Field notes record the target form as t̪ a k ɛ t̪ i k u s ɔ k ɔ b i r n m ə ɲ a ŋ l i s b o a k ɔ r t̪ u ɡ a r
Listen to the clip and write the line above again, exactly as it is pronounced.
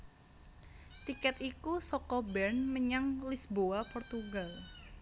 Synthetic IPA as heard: t̪ i k ɛ t̪ i k u s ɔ k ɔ b ɛ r n m ə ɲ a ŋ l i s b o a p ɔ r t̪ u ɡ a l